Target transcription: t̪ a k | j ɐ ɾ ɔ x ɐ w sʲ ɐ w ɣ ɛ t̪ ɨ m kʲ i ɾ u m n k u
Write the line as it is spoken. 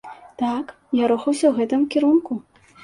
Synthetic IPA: t̪ a k | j a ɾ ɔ x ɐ w sʲ ɐ w ɣ ɛ t̪ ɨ m kʲ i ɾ u n k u

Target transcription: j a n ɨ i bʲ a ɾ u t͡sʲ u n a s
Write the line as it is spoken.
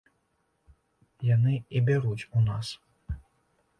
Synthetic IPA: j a n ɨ i bʲ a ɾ u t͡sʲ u n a s

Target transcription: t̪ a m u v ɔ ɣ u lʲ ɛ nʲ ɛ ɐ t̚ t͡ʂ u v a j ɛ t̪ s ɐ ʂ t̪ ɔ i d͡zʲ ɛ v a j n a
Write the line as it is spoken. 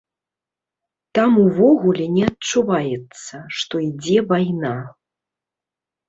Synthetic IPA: t̪ a m u v ɔ ɣ u lʲ ɛ nʲ ɛ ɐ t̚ t͡ʂ u v a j ɛ t̪ s ɐ ʂ t̪ ɔ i d͡zʲ ɛ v a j n a

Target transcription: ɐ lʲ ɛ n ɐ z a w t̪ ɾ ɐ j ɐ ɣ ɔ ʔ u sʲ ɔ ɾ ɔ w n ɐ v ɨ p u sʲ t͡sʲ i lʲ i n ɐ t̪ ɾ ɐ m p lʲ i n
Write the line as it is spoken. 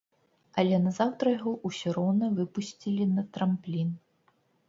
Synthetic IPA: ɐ lʲ ɛ n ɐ z a w t̪ ɾ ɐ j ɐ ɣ ɔ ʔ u sʲ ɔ ɾ ɔ w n ɐ v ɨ p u sʲ t͡sʲ i lʲ i n ɐ t̪ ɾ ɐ m p lʲ i n

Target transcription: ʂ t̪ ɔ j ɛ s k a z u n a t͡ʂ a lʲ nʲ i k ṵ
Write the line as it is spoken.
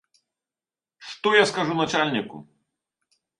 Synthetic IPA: ʂ t̪ ɔ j a s k a ʐ u n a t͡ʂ a lʲ nʲ i k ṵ

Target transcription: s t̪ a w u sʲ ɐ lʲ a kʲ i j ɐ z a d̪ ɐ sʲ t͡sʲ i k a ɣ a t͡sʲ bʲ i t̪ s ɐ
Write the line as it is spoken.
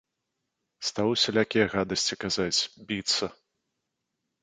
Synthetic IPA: s t̪ a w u sʲ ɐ lʲ a kʲ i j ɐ ɣ a d̪ ɐ sʲ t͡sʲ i k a z a t͡sʲ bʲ i t̪ s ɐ

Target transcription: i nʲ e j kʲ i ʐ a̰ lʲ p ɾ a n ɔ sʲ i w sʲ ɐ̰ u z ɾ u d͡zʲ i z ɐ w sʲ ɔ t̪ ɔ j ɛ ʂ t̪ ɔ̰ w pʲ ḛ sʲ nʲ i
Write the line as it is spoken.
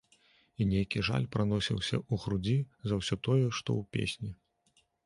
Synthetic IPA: i nʲ e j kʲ i ʐ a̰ lʲ p ɾ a n ɔ sʲ i w sʲ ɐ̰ u ɣ ɾ u d͡zʲ i z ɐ w sʲ ɔ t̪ ɔ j ɛ ʂ t̪ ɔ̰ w pʲ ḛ sʲ nʲ i

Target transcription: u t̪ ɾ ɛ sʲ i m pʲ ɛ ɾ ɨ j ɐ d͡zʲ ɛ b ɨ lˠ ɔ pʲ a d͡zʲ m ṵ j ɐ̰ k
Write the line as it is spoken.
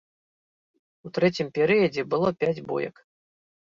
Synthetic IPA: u t̪ ɾ ɛ t͡sʲ i m pʲ ɛ ɾ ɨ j ɐ d͡zʲ ɛ b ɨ lˠ ɔ pʲ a d͡zʲ b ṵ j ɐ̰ k

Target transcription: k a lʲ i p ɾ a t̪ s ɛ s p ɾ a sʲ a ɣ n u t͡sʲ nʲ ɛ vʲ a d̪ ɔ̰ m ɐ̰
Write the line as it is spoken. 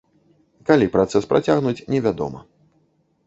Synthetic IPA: k a lʲ i p ɾ a t̪ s ɛ s p ɾ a t͡sʲ a ɣ n u t͡sʲ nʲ ɛ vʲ a d̪ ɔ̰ m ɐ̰

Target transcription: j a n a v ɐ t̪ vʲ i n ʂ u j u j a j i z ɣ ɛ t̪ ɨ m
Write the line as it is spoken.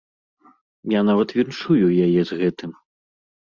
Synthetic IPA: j a n a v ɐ t̪ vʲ i n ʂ u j u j a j ɛ z ɣ ɛ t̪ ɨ m

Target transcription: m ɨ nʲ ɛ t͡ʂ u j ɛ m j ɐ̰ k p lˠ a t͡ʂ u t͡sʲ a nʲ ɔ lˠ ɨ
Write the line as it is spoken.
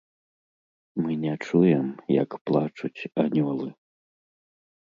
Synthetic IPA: m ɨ nʲ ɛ t͡ʂ u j ɛ m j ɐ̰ k p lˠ a t͡ʂ u t͡sʲ a nʲ ɔ lˠ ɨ

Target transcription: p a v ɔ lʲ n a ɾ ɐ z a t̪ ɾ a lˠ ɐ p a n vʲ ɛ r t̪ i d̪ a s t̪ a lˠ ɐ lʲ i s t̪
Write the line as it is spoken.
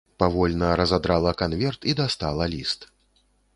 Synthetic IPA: p a v ɔ lʲ n ɐ ɾ ɐ z a d̪ ɾ a lˠ ɐ k a n vʲ ɛ r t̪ i d̪ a s t̪ a lˠ ɐ lʲ i s t̪

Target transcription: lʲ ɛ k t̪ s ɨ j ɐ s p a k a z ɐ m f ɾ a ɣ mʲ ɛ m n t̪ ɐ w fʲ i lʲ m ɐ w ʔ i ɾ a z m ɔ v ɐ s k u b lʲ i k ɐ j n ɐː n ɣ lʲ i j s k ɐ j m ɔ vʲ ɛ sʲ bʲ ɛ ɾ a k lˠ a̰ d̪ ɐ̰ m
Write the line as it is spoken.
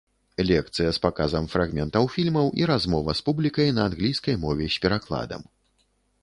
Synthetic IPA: lʲ ɛ k t̪ s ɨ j ɐ s p a k a z ɐ m f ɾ a ɣ mʲ ɛ n t̪ ɐ w fʲ i lʲ m ɐ w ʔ i ɾ a z m ɔ v ɐ s p u b lʲ i k ɐ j n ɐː n ɣ lʲ i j s k ɐ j m ɔ vʲ ɛ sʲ pʲ ɛ ɾ a k lˠ a̰ d̪ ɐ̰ m

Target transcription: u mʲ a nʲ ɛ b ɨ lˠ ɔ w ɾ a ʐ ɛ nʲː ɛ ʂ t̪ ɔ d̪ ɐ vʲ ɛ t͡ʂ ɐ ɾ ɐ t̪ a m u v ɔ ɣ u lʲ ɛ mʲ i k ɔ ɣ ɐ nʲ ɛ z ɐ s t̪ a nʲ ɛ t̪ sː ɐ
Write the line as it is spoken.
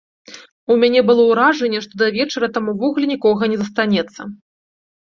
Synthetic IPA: u mʲ a nʲ ɛ b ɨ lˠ ɔ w ɾ a ʐ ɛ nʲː ɛ ʂ t̪ ɔ d̪ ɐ vʲ ɛ t͡ʂ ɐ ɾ ɐ t̪ a m u v ɔ ɣ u lʲ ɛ nʲ i k ɔ ɣ ɐ nʲ ɛ z ɐ s t̪ a nʲ ɛ t̪ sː ɐ

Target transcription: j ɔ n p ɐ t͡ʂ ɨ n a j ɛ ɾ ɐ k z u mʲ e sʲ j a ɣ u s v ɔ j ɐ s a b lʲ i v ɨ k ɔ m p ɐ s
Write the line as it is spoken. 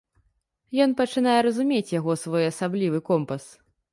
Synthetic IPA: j ɔ n p ɐ t͡ʂ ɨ n a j ɛ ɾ ɐ z u mʲ e t͡sʲ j a ɣ ɔ s v ɔ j ɐ s a b lʲ i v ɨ k ɔ m p ɐ s

